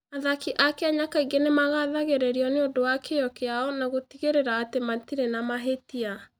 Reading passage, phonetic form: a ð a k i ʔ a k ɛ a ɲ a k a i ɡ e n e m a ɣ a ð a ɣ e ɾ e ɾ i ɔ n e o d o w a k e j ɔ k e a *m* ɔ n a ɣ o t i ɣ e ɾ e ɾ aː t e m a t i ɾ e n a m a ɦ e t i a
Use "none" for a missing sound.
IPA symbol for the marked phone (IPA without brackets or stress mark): none